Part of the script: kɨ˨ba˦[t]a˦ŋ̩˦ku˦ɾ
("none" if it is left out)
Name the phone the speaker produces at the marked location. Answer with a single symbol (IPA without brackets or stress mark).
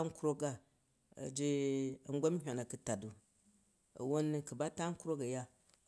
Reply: t